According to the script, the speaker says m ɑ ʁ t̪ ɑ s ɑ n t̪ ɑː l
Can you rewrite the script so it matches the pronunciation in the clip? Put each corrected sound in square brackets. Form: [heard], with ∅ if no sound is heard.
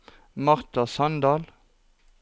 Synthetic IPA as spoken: m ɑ ʁ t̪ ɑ s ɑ n [d̪] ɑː l